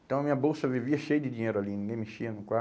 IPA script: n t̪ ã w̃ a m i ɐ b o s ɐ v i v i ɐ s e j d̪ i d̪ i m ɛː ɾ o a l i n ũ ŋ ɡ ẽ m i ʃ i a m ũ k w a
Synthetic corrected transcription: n t̪ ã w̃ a m i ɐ b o s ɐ v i v i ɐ ʃ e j d̪ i d̪ i ɲ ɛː ɾ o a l i n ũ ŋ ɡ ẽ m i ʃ i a n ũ k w a